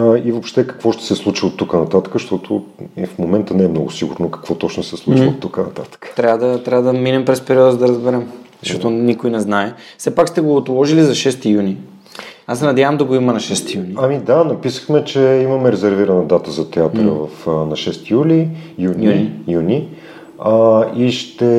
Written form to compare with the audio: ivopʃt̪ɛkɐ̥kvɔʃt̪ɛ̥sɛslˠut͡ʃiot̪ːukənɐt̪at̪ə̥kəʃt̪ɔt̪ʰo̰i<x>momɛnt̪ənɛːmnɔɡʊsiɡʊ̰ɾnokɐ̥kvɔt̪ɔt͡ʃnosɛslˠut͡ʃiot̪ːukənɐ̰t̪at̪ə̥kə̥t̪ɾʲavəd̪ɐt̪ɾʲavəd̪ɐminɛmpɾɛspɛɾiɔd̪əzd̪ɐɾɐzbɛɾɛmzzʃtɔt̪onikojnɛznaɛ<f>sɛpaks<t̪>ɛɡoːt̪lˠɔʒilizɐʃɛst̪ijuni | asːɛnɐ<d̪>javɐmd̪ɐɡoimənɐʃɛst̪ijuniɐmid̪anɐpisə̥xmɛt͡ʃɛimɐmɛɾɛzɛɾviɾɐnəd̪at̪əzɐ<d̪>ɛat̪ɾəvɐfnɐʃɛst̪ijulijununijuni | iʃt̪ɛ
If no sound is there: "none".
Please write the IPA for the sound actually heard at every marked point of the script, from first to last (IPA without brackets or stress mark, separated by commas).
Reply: f, f, t̪, d̪, t̪